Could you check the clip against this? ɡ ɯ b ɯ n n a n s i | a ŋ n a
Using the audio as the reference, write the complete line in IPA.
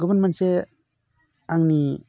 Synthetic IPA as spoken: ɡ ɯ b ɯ n m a n s e | a ŋ n i